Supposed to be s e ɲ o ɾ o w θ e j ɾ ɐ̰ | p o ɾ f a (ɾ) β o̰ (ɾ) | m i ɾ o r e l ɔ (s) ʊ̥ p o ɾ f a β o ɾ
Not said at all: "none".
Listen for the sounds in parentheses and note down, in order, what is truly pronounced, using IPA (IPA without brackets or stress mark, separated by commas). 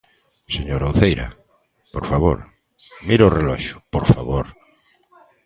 none, ɾ, ʃ